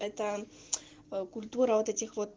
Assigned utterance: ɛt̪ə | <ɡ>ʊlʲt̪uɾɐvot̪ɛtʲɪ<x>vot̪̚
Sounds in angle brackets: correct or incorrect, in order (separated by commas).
incorrect, correct